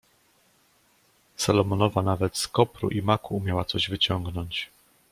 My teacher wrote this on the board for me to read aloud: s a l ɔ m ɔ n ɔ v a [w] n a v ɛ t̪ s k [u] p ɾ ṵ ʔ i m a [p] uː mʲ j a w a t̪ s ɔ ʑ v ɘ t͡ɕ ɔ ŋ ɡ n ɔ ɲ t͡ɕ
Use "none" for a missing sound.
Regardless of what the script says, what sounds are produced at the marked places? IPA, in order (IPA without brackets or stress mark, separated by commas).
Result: none, ɔ, k